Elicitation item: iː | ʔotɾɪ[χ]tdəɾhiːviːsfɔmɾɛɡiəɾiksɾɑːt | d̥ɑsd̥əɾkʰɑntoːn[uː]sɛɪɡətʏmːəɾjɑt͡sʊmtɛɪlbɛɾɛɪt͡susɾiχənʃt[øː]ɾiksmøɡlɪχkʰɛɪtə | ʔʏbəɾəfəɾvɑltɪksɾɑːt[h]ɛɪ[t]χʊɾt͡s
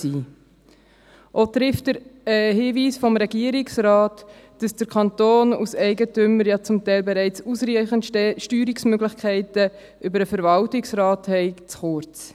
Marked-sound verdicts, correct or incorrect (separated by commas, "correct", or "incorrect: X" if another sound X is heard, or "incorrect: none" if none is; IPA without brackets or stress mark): incorrect: f, incorrect: u, incorrect: yː, correct, incorrect: t͡s